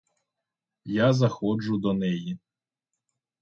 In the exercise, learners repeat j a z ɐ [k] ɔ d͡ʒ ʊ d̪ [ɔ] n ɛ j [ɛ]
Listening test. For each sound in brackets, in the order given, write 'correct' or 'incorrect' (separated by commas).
incorrect, correct, incorrect